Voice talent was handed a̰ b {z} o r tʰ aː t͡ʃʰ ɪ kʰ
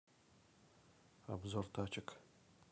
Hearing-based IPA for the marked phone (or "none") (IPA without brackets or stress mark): z